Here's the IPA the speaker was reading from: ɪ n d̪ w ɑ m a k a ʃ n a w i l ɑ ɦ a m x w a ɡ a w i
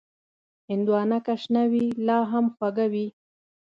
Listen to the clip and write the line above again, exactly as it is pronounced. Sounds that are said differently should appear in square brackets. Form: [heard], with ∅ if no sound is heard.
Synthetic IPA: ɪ n d̪ w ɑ [n] a k a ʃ n a w i l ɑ ɦ a m x w a ɡ a w i